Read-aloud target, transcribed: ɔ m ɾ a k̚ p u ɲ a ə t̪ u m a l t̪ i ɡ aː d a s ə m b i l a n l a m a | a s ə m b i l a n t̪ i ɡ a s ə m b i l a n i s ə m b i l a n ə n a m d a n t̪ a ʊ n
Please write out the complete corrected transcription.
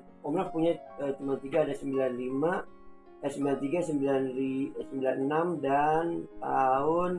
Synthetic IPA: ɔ m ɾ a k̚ p u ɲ a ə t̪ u m a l t̪ i ɡ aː d a s ə m b i l a n l i m a | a s ə m b i l a n t̪ i ɡ a s ə m b i l a n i s ə m b i l a n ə n a m d a n t̪ a ʊ n